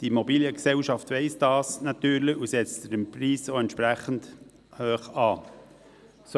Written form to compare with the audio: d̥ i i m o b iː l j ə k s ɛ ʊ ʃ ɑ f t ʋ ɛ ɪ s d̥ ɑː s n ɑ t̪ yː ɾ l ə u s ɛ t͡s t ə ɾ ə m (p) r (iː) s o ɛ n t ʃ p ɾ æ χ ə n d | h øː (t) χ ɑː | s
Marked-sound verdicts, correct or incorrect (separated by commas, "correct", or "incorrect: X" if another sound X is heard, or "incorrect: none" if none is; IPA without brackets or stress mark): correct, correct, incorrect: none